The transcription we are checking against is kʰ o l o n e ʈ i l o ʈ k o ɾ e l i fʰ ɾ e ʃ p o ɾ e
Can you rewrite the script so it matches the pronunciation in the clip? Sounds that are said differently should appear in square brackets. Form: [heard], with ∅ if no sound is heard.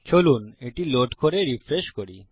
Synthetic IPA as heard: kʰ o l [u] n e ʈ i l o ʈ k o ɾ e [ɾ] i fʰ ɾ e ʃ [k] o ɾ [i]